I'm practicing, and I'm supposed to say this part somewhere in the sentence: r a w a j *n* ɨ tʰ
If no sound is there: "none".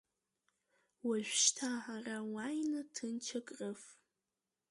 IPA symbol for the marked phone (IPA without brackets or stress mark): n